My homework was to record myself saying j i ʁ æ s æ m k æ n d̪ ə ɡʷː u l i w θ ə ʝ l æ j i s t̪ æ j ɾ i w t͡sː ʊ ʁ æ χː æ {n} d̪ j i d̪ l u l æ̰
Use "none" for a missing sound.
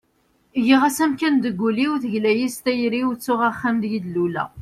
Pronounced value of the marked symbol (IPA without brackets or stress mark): m